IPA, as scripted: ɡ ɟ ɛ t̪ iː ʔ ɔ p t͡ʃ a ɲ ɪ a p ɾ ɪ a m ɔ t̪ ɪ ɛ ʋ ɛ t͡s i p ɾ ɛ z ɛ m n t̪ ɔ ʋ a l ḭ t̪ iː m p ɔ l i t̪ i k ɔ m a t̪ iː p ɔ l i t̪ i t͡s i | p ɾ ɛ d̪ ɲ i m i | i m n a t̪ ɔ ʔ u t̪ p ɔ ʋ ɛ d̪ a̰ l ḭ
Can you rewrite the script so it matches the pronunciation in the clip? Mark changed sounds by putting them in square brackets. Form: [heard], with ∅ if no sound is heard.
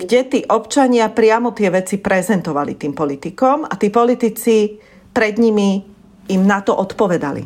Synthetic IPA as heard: ɡ ɟ ɛ t̪ iː ʔ ɔ p t͡ʃ a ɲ ɪ a p ɾ ɪ a m ɔ t̪ ɪ ɛ ʋ ɛ t͡s i p ɾ ɛ z ɛ [∅] n t̪ ɔ ʋ a l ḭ t̪ iː m p ɔ l i t̪ i k ɔ m a t̪ iː p ɔ l i t̪ i t͡s i | p ɾ ɛ d̪ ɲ i m i | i m n a t̪ ɔ ʔ [ɔ] t̪ p ɔ ʋ ɛ d̪ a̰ l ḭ